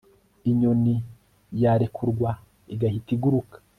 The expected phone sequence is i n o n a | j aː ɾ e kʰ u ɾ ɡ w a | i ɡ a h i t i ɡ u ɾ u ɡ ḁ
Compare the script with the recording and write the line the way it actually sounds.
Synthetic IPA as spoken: i ɲ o n i | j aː ɾ e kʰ u ɾ ɡ w a | i ɡ a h i t i ɡ u ɾ u k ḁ